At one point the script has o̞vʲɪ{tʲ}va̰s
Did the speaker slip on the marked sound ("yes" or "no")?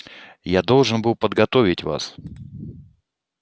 no